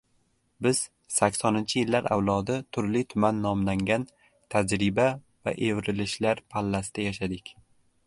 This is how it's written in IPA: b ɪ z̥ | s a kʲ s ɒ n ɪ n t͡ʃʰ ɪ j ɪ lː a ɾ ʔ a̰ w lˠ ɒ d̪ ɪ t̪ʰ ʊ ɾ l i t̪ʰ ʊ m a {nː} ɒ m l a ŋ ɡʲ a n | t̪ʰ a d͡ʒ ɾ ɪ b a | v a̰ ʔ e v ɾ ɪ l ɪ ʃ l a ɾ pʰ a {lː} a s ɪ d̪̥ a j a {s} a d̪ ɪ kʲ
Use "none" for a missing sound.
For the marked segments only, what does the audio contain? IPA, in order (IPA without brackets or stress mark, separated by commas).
nː, lː, ʃ